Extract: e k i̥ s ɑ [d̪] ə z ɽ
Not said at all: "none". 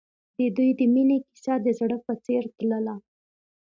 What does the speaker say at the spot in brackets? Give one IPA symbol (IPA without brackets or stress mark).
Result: d̪